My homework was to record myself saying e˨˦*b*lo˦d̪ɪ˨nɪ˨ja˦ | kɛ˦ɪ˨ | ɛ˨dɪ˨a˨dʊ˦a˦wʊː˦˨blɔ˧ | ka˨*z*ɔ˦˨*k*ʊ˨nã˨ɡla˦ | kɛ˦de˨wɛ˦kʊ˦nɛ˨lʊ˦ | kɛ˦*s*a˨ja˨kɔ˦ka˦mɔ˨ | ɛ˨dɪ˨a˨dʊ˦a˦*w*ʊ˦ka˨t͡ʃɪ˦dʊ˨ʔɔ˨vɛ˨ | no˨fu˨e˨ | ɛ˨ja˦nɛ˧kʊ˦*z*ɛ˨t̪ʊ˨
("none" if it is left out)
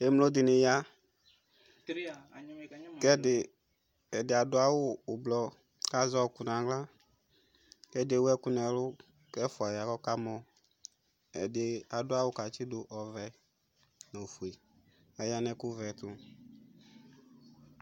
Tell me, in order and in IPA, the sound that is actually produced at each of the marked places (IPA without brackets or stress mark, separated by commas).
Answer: m, z, k, f, w, v